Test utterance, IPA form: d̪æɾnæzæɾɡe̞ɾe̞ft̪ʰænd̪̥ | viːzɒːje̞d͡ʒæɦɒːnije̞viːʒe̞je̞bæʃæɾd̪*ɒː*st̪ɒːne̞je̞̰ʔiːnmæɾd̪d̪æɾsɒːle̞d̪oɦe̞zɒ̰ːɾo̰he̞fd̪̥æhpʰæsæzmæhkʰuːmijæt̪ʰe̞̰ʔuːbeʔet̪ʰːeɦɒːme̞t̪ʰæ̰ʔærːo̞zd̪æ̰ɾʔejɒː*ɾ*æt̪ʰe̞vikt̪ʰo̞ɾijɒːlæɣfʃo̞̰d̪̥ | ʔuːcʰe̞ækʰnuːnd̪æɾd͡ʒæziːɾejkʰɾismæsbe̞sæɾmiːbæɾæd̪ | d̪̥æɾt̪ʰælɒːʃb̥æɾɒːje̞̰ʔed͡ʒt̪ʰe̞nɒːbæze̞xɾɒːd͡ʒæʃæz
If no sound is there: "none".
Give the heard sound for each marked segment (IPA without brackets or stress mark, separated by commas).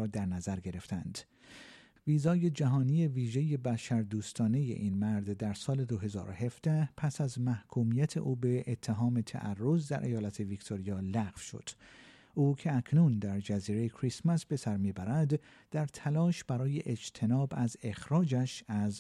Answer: uː, l